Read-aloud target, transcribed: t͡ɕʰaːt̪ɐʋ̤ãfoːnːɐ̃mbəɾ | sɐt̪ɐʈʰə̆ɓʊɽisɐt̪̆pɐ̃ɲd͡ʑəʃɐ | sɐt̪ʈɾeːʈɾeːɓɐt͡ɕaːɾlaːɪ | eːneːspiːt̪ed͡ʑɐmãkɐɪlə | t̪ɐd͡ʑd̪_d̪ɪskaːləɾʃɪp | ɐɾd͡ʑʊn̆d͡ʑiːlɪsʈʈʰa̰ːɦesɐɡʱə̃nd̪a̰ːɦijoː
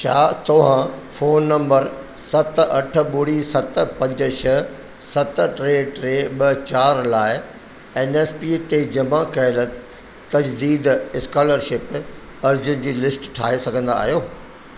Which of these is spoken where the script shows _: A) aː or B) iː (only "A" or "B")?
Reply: B